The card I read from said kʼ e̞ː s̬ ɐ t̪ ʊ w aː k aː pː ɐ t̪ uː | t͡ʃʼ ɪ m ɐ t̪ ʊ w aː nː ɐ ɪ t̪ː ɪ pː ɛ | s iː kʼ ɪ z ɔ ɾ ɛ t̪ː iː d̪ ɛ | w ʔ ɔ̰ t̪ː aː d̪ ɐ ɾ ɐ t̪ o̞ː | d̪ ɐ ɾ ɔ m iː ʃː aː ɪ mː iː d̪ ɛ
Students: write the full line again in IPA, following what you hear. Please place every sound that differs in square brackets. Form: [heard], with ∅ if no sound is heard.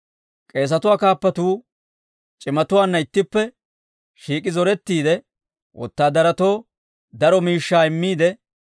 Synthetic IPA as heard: kʼ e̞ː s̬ ɐ t̪ ʊ w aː k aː pː ɐ t̪ uː | t͡ʃʼ ɪ m ɐ t̪ ʊ w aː nː ɐ ɪ t̪ː ɪ pː ɛ | [ʃ] iː kʼ ɪ z ɔ ɾ ɛ t̪ː iː d̪ ɛ | w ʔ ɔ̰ t̪ː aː d̪ ɐ ɾ ɐ t̪ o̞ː | d̪ ɐ ɾ ɔ m iː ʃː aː ɪ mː iː d̪ ɛ

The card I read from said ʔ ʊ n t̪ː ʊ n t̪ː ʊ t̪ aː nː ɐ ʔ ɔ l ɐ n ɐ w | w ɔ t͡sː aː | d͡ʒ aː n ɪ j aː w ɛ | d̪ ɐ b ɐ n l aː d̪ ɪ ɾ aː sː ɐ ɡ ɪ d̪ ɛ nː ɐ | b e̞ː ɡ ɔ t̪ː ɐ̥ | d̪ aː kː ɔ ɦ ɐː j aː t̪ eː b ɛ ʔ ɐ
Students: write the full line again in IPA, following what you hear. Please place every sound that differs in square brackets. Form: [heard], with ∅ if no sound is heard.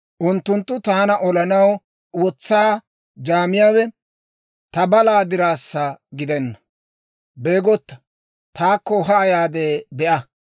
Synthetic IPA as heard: ʔ ʊ n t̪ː ʊ n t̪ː ʊ t̪ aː [n] ɐ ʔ ɔ l ɐ n ɐ w | w ɔ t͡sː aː | d͡ʒ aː [m] ɪ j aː w ɛ | [t̪] ɐ b ɐ [∅] l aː d̪ ɪ ɾ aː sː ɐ ɡ ɪ d̪ ɛ nː ɐ | b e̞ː ɡ ɔ t̪ː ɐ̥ | [t̪] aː kː ɔ ɦ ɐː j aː [d̪] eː b ɛ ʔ ɐ

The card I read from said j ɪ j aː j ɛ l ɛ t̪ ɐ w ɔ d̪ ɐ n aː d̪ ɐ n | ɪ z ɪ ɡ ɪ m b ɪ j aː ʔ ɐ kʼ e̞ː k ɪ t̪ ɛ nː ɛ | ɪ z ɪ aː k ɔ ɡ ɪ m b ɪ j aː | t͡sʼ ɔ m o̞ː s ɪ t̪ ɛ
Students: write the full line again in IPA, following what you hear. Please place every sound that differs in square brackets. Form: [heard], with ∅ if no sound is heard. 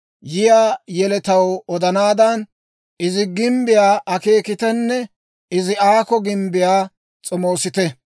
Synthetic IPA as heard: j ɪ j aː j ɛ l ɛ t̪ ɐ w ɔ d̪ ɐ n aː d̪ ɐ n | ɪ z ɪ ɡ ɪ m b ɪ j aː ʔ ɐ [k] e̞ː k ɪ t̪ ɛ nː ɛ | ɪ z ɪ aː k ɔ ɡ ɪ m b ɪ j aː | t͡sʼ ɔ m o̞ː s ɪ t̪ ɛ

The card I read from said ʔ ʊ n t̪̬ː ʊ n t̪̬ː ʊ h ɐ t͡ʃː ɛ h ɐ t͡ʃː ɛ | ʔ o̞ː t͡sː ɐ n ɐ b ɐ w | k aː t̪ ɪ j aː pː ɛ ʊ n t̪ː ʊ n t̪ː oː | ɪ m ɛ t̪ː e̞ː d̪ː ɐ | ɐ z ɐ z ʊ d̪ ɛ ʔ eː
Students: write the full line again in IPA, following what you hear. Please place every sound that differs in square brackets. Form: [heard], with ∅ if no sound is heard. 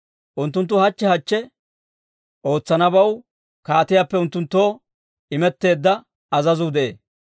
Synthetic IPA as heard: ʔ ʊ n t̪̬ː ʊ n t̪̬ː ʊ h ɐ t͡ʃː ɛ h ɐ t͡ʃː ɛ | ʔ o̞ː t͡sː ɐ n ɐ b ɐ w | k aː t̪ ɪ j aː pː ɛ ʊ n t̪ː ʊ n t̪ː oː | ɪ m ɛ t̪ː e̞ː d̪ː ɐ | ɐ z ɐ z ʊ d̪ ɛ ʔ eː

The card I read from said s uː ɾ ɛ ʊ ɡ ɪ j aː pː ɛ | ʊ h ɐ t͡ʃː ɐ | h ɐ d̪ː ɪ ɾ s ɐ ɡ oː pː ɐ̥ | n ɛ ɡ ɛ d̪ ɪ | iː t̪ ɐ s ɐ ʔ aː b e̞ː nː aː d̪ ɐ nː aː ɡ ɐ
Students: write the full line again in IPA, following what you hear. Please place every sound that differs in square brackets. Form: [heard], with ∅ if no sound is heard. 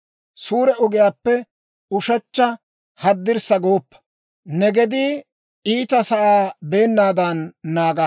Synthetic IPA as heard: s uː ɾ ɛ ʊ ɡ ɪ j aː pː ɛ | ʊ [ʃ] ɐ t͡ʃː ɐ | h ɐ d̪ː ɪ ɾ s ɐ ɡ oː pː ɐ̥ | n ɛ ɡ ɛ d̪ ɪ | iː t̪ ɐ s ɐ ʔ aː b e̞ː nː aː d̪ ɐ nː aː ɡ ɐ

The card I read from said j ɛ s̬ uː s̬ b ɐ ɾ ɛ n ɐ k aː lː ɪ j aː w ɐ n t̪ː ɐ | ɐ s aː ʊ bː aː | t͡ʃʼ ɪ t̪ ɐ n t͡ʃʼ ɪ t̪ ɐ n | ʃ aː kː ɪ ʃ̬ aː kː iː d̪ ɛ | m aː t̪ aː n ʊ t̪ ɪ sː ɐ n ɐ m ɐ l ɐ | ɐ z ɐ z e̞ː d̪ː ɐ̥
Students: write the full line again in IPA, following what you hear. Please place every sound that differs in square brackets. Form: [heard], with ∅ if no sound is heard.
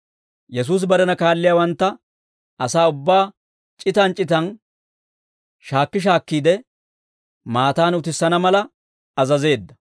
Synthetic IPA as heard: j ɛ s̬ uː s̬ b ɐ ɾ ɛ n ɐ k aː lː ɪ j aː w ɐ n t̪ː ɐ | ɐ s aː ʊ bː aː | t͡ʃʼ ɪ t̪ ɐ n t͡ʃʼ ɪ t̪ ɐ n | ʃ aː kː ɪ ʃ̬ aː kː iː d̪ ɛ | m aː t̪ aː n ʊ t̪ ɪ sː ɐ n ɐ m ɐ l ɐ | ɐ z ɐ z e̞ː d̪ː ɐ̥

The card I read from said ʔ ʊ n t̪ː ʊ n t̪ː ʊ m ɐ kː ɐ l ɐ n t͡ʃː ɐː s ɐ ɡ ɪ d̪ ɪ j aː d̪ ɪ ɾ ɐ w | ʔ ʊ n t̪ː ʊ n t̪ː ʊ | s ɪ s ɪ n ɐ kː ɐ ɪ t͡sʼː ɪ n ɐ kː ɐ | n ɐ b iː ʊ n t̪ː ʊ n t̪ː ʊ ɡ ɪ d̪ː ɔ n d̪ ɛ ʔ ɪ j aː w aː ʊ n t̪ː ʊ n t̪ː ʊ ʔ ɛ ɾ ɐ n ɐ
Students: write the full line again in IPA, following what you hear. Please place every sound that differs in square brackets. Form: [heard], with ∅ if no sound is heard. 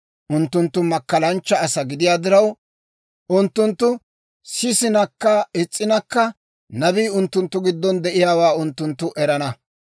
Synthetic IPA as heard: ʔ ʊ n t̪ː ʊ n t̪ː ʊ m ɐ kː ɐ l ɐ n t͡ʃː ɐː s ɐ ɡ ɪ d̪ ɪ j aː d̪ ɪ ɾ ɐ w | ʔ ʊ n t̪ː ʊ n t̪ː ʊ | s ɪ s ɪ n ɐ kː ɐ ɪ t͡sʼː ɪ n ɐ kː ɐ | n ɐ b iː ʊ n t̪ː ʊ n t̪ː ʊ ɡ ɪ d̪ː ɔ n d̪ ɛ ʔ ɪ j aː w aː ʊ n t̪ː ʊ n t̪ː ʊ ʔ ɛ ɾ ɐ n ɐ

